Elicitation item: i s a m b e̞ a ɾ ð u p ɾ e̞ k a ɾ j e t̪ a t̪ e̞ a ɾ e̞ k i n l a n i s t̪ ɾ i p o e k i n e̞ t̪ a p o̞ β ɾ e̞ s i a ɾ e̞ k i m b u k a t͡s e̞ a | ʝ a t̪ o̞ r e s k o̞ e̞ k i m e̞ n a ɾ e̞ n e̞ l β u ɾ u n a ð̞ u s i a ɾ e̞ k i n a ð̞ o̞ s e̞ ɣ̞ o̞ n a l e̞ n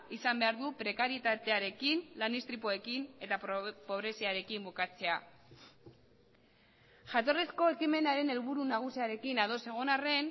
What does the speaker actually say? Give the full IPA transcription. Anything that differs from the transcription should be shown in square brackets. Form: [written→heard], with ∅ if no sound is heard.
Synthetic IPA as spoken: i s a m b e̞ a ɾ ð u p ɾ e̞ k a ɾ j e t̪ a t̪ e̞ a ɾ e̞ k i n l a n i s t̪ ɾ i p o e k i n e̞ t̪ a p o̞ β ɾ e̞ s i a ɾ e̞ k i m b u k a t͡s e̞ a | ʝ a t̪ o̞ r e s k o̞ e̞ k i m e̞ n a ɾ e̞ n e̞ l β u ɾ u n a [ð̞→ɣ̞] u s i a ɾ e̞ k i n a ð̞ o̞ s e̞ ɣ̞ o̞ n a [l→r] e̞ n